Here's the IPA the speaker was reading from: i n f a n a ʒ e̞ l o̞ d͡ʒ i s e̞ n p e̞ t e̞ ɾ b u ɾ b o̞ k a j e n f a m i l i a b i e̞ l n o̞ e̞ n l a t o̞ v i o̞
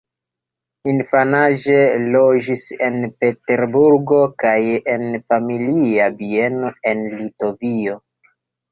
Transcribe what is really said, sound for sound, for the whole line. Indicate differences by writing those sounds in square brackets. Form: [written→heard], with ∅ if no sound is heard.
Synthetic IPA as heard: i n f a n a ʒ e̞ l o̞ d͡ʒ i s e̞ n p e̞ t e̞ ɾ b u ɾ [b→ɡ] o̞ k a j e n f a m i l i a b i e̞ [l→∅] n o̞ e̞ n l [a→i] t o̞ v i o̞